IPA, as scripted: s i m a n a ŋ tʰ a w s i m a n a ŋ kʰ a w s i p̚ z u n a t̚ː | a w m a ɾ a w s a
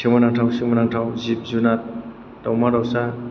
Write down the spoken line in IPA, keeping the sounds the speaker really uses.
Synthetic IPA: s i m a n a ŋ tʰ a w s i m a n a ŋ tʰ a w z i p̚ z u n a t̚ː | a w m a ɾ a w s a

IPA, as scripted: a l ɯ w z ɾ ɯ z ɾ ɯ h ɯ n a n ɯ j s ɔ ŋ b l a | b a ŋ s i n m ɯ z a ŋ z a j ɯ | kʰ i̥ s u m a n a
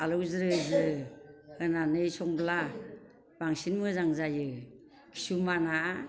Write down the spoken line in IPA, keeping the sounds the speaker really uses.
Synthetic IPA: a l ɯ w z ɾ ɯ z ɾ ɯ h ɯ n a n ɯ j s ɔ ŋ b l a | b a ŋ s i n m ɯ z a ŋ z a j ɯ | kʰ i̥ s u m a n a

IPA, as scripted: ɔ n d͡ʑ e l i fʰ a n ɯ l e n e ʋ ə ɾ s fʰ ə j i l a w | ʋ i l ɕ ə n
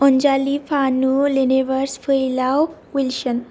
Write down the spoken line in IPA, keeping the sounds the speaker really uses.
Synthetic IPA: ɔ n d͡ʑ a l i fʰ a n u l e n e ʋ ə ɾ s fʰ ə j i l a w | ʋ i l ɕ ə n

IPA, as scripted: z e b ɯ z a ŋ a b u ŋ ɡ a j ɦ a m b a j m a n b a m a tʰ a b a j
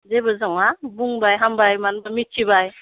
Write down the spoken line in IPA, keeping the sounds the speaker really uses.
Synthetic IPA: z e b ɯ z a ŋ a b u ŋ b a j ɦ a m b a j m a n b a m i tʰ i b a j

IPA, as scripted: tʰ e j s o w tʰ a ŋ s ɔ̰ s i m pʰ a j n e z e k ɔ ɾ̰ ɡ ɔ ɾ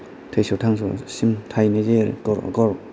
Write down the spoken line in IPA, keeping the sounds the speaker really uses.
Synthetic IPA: tʰ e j s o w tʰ a ŋ s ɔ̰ s i m tʰ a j n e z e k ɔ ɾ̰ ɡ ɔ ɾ

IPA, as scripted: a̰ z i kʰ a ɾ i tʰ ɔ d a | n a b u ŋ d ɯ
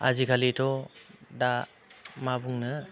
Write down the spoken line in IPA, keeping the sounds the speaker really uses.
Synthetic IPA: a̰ z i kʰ a l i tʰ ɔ d a | m a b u ŋ n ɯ

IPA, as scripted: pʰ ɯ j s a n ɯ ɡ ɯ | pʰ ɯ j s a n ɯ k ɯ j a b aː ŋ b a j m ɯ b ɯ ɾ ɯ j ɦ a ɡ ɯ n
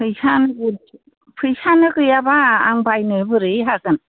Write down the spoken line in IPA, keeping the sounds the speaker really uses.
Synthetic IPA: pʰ ɯ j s a n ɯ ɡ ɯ | pʰ ɯ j s a n ɯ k ɯ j a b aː ŋ b a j n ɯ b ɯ ɾ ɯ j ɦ a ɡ ɯ n

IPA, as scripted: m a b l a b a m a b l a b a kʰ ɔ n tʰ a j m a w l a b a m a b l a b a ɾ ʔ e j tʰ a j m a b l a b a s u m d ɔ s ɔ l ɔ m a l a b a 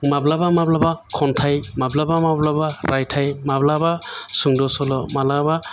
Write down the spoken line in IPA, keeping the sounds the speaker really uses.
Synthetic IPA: m a b l a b a m a b l a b a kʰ ɔ n tʰ a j m a b l a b a m a b l a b a ɾ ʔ a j tʰ a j m a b l a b a s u ŋ d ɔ s ɔ l ɔ m a l a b a

